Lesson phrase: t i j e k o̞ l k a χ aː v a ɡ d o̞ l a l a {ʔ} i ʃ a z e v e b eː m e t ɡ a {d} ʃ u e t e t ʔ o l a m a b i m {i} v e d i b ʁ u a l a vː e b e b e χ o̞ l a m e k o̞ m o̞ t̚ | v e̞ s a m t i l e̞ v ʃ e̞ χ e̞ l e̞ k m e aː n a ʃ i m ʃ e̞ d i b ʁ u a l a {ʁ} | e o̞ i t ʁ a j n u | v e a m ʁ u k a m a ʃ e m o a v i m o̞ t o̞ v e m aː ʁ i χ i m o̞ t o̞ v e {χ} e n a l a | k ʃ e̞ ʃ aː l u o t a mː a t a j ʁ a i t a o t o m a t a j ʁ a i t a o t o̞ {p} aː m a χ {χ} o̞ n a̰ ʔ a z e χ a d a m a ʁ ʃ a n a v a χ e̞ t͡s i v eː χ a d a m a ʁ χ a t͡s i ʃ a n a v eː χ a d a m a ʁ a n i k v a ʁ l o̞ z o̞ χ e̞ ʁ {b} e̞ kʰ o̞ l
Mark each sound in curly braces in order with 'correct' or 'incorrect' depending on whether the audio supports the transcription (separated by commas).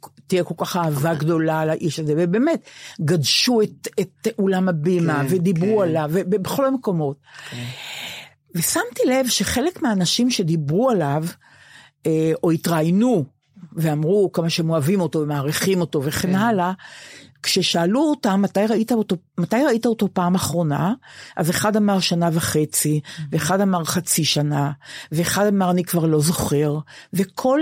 correct, correct, incorrect, incorrect, correct, correct, incorrect, incorrect